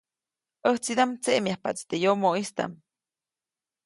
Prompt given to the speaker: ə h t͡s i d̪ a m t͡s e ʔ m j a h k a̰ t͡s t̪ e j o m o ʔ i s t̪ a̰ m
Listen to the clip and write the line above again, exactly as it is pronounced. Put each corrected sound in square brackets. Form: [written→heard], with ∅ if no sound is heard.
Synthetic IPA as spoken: ə h t͡s i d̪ a m t͡s e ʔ m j a h [k→p] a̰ t͡s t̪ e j o m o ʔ i s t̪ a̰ m